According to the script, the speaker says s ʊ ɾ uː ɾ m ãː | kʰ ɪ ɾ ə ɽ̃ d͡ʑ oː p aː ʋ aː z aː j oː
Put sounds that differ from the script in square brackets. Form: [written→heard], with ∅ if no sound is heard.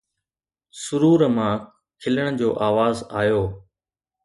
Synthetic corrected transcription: s ʊ ɾ uː ɾ m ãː | kʰ ɪ [ɾ→l] ə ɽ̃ d͡ʑ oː [p→ʔ] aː ʋ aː z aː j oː